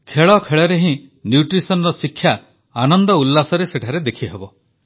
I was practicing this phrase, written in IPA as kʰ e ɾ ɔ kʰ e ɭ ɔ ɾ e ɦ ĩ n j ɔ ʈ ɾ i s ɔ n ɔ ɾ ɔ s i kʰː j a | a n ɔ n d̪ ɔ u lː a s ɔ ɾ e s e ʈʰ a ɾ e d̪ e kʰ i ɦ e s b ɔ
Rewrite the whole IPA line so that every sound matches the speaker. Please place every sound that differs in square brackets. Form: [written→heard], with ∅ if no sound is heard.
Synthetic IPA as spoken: kʰ e [ɾ→ɭ] ɔ kʰ e ɭ ɔ ɾ e ɦ ĩ n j [ɔ→u] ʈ ɾ i s ɔ n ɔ ɾ ɔ s i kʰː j a | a n ɔ n d̪ ɔ u lː a s ɔ ɾ e s e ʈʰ a ɾ e d̪ e kʰ i ɦ e [s→∅] b ɔ